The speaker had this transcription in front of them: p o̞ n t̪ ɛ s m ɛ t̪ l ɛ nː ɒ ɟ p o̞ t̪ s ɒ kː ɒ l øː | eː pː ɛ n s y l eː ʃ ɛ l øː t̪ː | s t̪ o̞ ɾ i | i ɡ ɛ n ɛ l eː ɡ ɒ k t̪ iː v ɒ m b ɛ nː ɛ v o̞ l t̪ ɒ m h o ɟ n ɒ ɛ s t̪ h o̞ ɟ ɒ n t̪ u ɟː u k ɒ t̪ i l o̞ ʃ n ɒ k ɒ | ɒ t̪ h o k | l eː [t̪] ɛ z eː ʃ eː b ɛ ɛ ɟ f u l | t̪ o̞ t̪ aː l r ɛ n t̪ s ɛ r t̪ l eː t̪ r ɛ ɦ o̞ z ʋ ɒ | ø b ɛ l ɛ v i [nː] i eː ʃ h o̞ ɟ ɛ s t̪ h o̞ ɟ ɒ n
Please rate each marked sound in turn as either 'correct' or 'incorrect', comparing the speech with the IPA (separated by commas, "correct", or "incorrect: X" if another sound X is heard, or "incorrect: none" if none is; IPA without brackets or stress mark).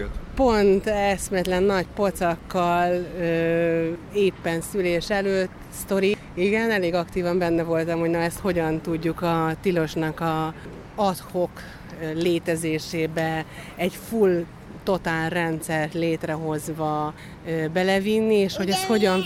correct, correct